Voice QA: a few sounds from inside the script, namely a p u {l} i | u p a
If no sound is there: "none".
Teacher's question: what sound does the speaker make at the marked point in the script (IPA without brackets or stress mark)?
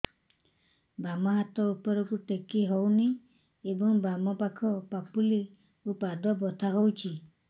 l